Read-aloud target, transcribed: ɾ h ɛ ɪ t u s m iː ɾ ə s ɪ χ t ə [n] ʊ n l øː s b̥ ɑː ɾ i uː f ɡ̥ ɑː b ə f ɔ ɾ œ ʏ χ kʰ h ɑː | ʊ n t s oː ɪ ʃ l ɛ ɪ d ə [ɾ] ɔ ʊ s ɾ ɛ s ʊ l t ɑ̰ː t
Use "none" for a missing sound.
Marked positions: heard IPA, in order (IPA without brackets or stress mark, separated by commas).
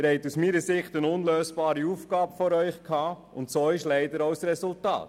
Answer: n, ɾ